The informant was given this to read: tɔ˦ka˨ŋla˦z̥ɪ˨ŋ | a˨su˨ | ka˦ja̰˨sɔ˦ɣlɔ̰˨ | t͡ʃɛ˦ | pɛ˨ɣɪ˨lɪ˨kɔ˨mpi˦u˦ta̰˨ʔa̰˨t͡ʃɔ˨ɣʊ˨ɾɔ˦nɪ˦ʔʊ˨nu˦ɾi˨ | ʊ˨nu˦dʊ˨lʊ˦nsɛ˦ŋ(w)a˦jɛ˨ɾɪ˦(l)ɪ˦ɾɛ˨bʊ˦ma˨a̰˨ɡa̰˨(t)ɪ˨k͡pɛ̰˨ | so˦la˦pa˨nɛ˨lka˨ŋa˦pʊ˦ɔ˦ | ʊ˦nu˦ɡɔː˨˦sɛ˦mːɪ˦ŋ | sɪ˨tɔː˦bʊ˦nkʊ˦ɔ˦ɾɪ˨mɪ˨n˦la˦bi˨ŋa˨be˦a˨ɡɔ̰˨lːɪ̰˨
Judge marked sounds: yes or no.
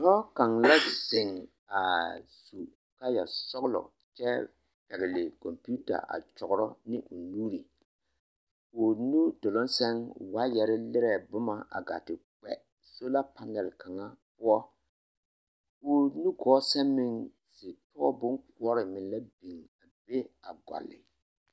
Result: yes, yes, yes

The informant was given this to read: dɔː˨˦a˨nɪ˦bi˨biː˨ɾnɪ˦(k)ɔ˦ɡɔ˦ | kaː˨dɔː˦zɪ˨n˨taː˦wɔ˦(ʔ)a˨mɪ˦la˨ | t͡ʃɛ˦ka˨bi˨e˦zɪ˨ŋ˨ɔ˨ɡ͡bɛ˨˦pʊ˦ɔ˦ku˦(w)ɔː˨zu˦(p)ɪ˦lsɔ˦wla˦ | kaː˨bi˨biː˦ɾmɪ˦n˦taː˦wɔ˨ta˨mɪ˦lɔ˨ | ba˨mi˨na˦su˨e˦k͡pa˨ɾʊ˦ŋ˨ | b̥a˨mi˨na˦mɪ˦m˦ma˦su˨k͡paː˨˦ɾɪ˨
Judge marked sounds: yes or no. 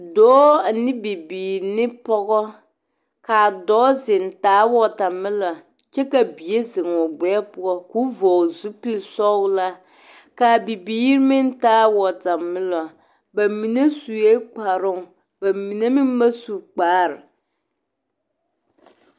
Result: no, no, no, yes

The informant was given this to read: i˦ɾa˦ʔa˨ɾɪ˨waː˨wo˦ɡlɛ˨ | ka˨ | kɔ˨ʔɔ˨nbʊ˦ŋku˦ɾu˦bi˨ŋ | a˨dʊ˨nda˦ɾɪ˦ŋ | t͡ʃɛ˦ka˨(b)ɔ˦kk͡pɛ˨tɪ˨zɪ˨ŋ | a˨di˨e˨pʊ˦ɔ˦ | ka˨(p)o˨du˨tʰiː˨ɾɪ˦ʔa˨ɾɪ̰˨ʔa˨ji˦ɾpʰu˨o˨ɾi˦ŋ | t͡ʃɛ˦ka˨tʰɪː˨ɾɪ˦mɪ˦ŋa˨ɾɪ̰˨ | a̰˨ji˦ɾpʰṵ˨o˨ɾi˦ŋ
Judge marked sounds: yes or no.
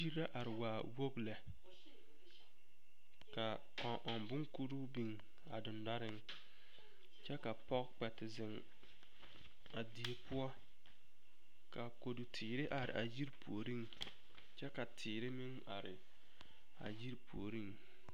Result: no, no

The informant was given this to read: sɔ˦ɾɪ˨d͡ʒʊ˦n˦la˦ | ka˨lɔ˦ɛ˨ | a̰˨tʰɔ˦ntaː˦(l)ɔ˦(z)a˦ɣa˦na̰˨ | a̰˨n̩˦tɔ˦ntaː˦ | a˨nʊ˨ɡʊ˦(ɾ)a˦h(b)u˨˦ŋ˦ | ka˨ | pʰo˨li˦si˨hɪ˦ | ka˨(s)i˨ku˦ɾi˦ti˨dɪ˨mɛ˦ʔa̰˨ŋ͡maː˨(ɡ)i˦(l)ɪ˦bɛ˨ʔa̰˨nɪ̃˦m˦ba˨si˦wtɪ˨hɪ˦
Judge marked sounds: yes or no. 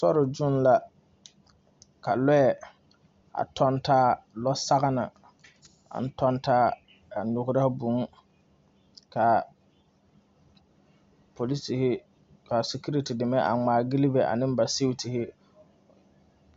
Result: yes, no, yes, yes, yes, yes, yes

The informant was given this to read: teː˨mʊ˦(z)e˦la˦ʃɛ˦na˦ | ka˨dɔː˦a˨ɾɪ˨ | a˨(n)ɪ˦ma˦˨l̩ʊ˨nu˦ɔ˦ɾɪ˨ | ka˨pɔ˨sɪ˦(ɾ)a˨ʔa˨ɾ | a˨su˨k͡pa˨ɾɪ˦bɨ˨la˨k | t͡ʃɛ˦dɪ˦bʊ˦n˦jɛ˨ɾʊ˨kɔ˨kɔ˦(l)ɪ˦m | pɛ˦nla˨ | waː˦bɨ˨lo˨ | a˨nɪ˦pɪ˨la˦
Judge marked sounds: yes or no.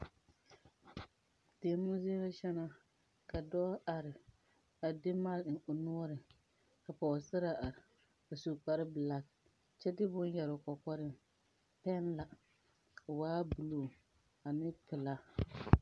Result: yes, no, yes, no

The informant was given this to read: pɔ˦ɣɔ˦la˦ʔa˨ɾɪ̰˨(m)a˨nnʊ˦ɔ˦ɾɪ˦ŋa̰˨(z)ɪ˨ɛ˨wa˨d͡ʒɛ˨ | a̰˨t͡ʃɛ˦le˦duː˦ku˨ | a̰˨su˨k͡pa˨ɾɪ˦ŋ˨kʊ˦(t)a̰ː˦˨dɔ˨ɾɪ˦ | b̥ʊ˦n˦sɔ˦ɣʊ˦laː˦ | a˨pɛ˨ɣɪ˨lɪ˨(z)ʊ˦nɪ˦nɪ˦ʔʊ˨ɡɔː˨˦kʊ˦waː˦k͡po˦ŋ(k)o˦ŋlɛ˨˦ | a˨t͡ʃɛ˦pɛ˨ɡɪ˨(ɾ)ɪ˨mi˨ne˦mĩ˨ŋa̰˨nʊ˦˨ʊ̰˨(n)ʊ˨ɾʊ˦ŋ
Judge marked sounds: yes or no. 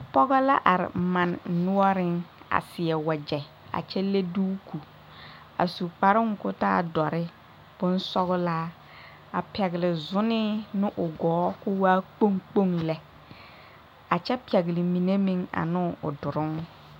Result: yes, no, yes, yes, no, no, no

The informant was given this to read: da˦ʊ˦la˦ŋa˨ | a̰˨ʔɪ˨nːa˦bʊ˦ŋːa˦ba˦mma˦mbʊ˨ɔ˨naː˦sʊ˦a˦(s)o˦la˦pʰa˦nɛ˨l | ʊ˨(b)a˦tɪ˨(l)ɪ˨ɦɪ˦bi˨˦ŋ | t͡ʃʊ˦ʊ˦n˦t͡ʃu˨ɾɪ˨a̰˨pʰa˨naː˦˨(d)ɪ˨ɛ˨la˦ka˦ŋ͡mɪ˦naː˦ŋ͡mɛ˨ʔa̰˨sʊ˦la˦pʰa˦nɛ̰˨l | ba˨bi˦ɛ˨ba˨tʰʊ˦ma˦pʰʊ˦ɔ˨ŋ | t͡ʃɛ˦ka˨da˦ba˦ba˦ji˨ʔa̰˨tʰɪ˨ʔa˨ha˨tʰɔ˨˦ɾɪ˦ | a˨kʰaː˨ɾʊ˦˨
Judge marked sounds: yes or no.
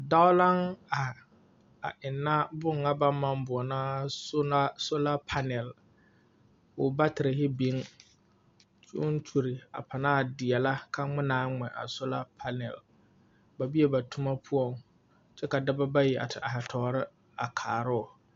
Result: yes, yes, no, yes

